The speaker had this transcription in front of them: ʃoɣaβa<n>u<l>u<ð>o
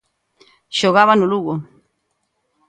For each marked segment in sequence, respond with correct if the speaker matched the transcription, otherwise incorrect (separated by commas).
correct, correct, incorrect